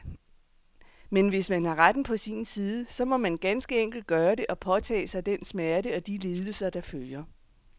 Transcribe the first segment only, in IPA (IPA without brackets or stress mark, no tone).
m